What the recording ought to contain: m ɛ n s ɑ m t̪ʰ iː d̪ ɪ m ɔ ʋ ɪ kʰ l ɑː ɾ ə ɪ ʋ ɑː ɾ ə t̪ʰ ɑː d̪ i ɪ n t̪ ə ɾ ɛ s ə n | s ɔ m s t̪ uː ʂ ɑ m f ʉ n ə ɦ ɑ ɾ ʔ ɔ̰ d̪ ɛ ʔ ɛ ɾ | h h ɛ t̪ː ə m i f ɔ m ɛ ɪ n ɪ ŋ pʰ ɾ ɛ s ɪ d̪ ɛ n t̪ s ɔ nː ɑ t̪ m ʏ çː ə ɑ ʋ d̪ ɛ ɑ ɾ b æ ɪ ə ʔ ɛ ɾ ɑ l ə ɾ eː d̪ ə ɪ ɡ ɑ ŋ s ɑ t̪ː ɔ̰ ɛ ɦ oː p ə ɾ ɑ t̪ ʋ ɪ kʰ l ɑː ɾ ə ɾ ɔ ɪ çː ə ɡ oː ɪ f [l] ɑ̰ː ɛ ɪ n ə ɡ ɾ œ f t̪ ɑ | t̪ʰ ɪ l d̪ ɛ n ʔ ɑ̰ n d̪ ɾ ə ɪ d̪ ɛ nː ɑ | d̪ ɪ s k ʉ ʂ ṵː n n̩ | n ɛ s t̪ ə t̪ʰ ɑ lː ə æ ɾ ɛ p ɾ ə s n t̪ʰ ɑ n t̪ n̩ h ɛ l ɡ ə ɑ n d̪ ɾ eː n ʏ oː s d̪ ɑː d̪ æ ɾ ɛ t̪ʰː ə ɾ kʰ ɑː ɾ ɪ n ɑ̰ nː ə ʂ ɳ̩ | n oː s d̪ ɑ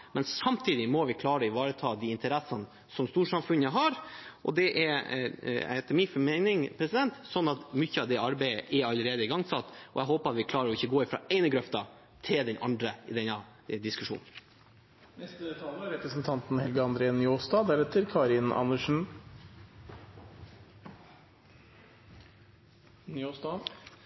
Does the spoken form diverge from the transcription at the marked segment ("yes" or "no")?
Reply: yes